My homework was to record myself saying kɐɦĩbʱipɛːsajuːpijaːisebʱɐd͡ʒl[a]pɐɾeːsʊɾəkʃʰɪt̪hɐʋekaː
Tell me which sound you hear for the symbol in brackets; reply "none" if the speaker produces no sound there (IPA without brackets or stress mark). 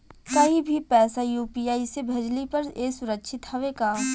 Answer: i